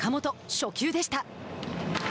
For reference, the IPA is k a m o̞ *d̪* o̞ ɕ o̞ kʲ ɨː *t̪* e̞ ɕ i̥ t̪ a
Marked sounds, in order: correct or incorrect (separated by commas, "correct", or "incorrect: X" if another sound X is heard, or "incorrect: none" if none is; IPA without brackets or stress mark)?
incorrect: t̪, incorrect: d̪